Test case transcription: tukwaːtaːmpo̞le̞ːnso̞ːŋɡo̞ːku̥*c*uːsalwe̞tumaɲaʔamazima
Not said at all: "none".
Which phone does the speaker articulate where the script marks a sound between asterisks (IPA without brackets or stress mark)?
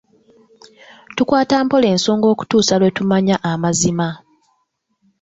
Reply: t